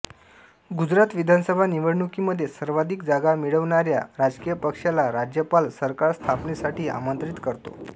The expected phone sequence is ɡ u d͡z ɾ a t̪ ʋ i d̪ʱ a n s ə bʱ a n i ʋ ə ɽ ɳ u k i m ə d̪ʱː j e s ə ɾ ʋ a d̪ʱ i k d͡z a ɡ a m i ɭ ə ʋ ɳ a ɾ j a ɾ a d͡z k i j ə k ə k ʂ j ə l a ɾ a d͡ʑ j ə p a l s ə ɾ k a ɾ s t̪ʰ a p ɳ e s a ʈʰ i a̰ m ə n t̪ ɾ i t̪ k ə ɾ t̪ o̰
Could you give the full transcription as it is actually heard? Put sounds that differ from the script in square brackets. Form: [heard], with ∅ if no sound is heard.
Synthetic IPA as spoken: ɡ u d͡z ɾ a t̪ ʋ i d̪ʱ a n s ə bʱ a n i ʋ ə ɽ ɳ u k i m ə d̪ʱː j e s ə ɾ ʋ a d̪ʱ i k d͡z a ɡ a m i ɭ ə ʋ ɳ a ɾ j a ɾ a d͡z k i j ə [p] ə k ʂ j [a] l a ɾ a d͡ʑ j ə p a l s ə ɾ k a ɾ s t̪ʰ a p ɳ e s a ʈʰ [iː] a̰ m ə n t̪ ɾ i t̪ k ə ɾ t̪ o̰